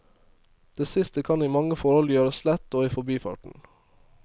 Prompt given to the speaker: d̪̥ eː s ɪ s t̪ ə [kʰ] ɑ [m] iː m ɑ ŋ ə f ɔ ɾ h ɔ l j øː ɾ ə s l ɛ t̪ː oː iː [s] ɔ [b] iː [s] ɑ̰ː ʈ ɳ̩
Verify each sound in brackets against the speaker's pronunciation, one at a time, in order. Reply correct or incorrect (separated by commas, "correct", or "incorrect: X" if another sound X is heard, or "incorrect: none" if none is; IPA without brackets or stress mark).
correct, incorrect: n, incorrect: f, correct, incorrect: f